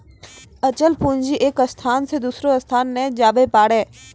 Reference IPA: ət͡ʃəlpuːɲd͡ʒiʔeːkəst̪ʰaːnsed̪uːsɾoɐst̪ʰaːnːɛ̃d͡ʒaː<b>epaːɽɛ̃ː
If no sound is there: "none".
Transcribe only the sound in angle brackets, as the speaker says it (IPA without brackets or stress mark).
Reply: b